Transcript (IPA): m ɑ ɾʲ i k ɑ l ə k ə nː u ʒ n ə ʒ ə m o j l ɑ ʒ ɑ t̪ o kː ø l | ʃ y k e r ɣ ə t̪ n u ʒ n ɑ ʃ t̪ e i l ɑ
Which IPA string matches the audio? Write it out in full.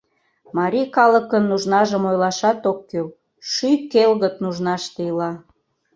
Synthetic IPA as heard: m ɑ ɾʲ i k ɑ l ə k ə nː u ʒ n ɑ ʒ ə m o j l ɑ ʃ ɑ t̪ o kː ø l | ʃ y k e l ɣ ə t̪ n u ʒ n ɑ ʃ t̪ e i l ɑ